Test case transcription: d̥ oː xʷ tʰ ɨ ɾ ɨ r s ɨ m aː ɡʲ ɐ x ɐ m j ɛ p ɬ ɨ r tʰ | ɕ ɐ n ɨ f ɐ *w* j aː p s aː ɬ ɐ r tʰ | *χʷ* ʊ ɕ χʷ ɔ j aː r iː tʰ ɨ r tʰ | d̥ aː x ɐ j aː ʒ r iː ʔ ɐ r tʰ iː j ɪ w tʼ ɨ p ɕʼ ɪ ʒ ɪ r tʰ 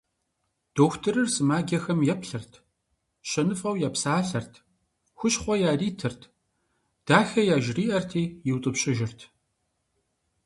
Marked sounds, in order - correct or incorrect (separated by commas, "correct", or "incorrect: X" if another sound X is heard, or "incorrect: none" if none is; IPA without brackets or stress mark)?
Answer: correct, incorrect: xʷ